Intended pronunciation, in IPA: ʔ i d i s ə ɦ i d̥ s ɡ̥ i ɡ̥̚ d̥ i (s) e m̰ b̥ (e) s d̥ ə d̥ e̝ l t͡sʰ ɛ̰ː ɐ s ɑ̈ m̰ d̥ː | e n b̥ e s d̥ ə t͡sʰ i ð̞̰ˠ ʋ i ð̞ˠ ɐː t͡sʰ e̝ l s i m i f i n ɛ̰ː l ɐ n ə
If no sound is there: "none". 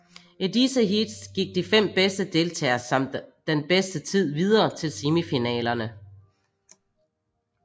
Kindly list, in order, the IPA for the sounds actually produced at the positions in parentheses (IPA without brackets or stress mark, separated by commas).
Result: f, e